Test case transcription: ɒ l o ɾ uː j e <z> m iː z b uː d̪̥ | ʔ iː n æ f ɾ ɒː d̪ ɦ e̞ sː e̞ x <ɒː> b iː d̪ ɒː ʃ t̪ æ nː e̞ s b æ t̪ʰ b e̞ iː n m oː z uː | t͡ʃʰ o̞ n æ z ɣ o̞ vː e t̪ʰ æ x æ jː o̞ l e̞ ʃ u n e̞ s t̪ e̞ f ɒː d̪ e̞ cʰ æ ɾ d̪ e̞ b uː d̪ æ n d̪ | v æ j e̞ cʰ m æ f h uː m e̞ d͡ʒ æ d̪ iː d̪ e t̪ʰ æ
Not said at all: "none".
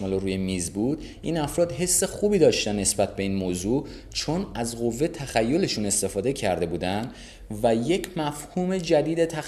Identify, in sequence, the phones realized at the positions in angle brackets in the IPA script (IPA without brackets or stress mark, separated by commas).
none, uː